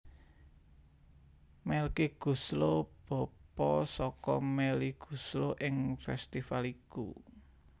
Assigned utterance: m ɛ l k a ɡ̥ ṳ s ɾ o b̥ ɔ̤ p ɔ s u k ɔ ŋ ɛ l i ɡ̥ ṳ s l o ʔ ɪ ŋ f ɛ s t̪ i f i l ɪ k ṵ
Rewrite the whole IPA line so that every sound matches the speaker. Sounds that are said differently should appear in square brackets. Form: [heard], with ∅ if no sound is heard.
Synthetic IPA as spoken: m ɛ l k [i] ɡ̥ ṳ s [l] o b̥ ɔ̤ p ɔ s [ɔ] k ɔ [m] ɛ l i ɡ̥ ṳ s l o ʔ ɪ ŋ f ɛ s t̪ i f [a] l [i] k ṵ

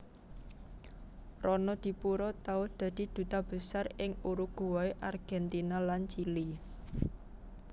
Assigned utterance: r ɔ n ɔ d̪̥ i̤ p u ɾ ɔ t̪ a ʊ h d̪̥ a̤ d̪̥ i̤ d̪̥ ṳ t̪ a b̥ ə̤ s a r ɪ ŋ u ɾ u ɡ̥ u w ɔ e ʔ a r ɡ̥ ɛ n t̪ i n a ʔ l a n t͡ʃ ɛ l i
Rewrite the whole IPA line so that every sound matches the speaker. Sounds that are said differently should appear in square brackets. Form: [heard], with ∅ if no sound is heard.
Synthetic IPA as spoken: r ɔ n ɔ d̪̥ i̤ p u ɾ ɔ t̪ a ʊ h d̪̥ a̤ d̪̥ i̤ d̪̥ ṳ t̪ a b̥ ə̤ s a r ɪ ŋ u ɾ u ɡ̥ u w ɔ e ʔ a r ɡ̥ ɛ n t̪ i n a [∅] l a n t͡ʃ [i] l i

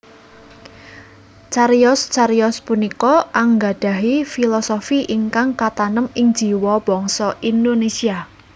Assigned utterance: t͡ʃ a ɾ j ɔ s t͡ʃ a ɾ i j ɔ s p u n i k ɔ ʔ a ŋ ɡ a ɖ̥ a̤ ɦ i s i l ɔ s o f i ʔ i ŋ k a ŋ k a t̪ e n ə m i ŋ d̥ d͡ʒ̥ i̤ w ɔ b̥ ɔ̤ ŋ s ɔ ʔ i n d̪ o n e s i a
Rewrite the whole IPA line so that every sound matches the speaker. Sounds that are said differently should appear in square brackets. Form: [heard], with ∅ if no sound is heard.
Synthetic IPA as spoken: t͡ʃ a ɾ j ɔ s t͡ʃ a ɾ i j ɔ s p u n i k ɔ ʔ a ŋ ɡ a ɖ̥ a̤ ɦ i [f] i l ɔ s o f i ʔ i ŋ k a ŋ k a t̪ [a] n ə m [ɪ] ŋ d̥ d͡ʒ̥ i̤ w ɔ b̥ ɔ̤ ŋ s ɔ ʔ i n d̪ o n e s i a

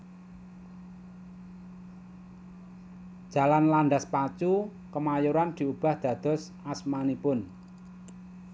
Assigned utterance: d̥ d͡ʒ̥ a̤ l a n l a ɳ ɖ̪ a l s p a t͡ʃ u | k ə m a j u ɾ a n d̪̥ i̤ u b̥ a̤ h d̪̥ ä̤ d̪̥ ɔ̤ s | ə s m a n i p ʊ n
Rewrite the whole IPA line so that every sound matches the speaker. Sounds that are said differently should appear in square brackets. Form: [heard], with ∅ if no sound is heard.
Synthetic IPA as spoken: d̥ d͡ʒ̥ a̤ l a n l a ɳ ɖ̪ a [∅] s p a t͡ʃ u | k ə m a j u ɾ a n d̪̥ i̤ u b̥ a̤ h d̪̥ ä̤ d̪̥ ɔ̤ s | [a] s m a n i p ʊ n

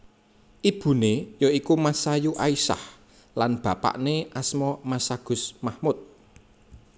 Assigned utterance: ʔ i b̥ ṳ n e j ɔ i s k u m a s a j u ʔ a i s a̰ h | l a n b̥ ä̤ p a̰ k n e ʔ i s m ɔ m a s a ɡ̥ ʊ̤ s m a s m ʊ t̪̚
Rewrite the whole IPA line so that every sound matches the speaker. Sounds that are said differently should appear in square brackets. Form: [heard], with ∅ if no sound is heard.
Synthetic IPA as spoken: ʔ i b̥ ṳ n e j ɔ i [∅] k u m a s a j u ʔ a i s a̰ h | l a n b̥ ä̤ p a̰ [ʔ] n e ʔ [a] s m ɔ m a s a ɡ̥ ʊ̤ s m a [h] m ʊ t̪̚

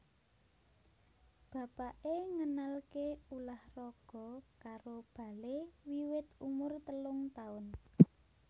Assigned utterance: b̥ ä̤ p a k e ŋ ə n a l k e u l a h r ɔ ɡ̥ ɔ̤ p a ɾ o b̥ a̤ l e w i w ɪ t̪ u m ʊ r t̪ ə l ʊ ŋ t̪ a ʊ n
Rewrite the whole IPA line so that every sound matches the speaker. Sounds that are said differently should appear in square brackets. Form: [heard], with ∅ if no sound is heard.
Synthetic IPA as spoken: b̥ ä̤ p a [ʔ] e ŋ ə n a l k e u l a h r ɔ ɡ̥ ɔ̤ [k] a ɾ o b̥ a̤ l e w i w ɪ t̪ u m ʊ r t̪ ə l ʊ ŋ t̪ a ʊ n

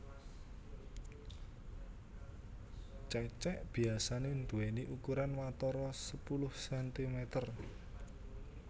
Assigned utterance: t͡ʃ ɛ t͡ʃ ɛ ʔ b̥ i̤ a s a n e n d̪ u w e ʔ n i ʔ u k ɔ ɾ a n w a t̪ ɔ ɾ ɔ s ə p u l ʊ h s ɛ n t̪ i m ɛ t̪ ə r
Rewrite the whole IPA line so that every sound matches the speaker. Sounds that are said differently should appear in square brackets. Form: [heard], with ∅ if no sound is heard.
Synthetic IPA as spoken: t͡ʃ ɛ t͡ʃ ɛ ʔ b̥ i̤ a s a n e n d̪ u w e [∅] n i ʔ u k [u] ɾ a n w a t̪ ɔ ɾ ɔ s ə p u l ʊ h s ɛ n t̪ i m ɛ t̪ ə r

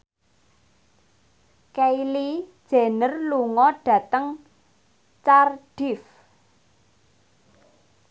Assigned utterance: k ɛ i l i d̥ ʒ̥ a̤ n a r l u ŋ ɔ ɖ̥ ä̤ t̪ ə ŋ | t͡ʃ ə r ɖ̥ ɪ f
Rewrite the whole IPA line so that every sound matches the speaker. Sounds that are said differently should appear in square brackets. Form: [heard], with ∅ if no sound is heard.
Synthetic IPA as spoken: k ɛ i l i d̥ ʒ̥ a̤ n [ə] r l u ŋ ɔ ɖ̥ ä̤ t̪ ə ŋ | t͡ʃ [a] r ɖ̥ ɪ f

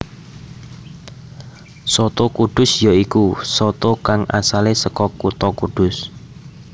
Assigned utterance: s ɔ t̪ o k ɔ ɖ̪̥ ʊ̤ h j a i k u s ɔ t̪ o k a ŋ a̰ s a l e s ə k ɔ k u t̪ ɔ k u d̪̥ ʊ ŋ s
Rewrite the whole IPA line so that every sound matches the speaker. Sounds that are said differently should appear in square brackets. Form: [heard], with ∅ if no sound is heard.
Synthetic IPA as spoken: s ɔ t̪ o k [u] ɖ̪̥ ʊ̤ [s] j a i k u s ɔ t̪ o k a ŋ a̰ s a l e s ə k ɔ k u t̪ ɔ k u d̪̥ ʊ [∅] s

